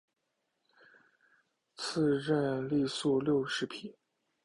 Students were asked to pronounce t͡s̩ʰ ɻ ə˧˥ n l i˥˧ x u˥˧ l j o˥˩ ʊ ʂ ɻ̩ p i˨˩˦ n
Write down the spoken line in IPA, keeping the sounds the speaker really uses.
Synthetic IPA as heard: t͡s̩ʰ ɻ ə˥˧ n l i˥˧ s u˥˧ l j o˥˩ ʊ ʂ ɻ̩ pʰ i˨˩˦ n